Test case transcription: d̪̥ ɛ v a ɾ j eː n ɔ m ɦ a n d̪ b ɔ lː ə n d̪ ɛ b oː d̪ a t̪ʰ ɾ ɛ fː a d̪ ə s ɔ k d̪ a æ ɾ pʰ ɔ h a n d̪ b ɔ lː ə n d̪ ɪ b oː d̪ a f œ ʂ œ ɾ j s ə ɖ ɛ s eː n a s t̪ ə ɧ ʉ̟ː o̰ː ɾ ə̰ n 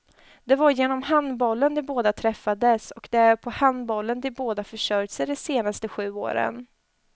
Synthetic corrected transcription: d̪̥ ɛ v a ɾ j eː n ɔ m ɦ a n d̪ b ɔ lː ə n d̪ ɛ b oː d̪ a t̪ʰ ɾ ɛ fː a d̪ ə s ɔ k d̪ ɛ æ ɾ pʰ ɔ h a n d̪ b ɔ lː ə n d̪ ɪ b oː d̪ a f œ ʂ œ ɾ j s ə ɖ ɛ s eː n a s t̪ ə ɧ ʉ̟ː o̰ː ɾ ə̰ n